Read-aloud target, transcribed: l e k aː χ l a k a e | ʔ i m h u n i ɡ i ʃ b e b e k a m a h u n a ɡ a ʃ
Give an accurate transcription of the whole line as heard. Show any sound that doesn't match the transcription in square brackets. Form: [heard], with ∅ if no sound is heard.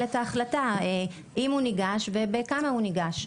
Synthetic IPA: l e [t] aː χ l a [t] a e | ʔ i m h u n i ɡ [a] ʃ [v] e b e k a m a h u n [i] ɡ a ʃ